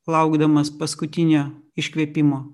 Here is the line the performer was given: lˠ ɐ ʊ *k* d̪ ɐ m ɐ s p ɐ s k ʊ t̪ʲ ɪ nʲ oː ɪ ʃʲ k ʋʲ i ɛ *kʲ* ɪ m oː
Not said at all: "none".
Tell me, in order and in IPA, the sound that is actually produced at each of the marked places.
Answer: ɡ, pʲ

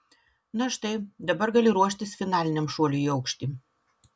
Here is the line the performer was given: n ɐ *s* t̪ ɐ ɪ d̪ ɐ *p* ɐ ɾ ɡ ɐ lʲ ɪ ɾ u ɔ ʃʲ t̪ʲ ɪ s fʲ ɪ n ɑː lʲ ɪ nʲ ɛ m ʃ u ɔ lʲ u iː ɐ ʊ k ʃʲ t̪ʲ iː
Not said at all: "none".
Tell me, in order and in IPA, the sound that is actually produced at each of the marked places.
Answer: ʃ, b

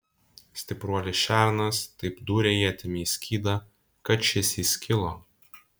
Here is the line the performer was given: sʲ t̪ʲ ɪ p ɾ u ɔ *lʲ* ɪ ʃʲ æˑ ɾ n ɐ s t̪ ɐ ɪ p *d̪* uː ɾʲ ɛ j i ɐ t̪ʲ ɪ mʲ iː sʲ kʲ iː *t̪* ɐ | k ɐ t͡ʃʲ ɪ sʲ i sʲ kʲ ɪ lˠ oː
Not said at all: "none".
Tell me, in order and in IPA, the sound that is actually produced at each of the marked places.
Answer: lʲ, d̪, d̪

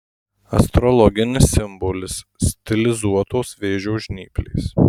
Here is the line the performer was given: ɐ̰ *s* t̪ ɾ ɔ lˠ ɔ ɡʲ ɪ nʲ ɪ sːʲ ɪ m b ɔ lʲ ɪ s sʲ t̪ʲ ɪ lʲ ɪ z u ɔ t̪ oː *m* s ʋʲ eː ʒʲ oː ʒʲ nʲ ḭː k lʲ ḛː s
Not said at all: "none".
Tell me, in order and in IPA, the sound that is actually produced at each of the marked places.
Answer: s, none

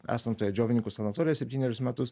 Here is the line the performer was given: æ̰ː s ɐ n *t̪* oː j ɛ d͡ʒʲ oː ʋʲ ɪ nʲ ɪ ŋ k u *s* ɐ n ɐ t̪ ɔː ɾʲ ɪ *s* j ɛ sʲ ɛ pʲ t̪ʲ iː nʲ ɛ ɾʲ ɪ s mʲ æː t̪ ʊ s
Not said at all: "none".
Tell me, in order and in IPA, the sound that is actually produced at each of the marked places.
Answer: t̪, s, none

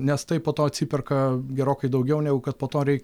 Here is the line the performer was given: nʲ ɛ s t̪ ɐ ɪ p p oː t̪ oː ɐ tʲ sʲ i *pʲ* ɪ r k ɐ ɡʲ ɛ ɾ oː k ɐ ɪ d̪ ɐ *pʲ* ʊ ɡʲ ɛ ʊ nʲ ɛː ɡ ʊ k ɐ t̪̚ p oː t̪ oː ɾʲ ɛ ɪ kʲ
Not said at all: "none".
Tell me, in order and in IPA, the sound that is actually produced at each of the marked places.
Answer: pʲ, none

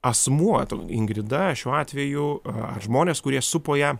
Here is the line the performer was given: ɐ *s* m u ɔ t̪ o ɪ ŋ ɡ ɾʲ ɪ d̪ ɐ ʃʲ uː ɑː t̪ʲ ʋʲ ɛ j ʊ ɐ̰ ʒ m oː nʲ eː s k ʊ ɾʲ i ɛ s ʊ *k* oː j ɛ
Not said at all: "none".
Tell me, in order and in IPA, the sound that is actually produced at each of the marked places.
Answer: s, p

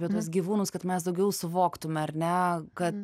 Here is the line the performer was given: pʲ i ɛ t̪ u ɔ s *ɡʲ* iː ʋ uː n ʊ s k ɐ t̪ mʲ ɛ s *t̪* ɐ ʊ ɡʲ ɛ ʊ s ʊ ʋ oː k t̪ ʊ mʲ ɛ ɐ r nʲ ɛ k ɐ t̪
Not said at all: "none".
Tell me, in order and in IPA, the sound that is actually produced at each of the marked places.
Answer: ɡʲ, d̪

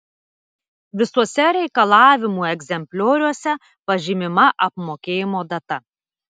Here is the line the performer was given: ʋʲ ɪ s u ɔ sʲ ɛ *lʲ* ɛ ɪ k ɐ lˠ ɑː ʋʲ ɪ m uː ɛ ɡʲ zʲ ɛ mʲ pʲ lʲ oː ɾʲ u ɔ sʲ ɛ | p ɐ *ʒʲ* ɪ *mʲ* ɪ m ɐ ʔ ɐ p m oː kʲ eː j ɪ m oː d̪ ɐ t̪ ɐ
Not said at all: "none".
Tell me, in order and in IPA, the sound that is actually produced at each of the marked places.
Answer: ɾʲ, ʒʲ, mʲ

